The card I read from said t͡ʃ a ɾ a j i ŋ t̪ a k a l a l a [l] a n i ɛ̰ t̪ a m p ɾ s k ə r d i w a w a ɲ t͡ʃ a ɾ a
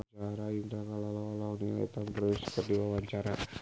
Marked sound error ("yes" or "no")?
no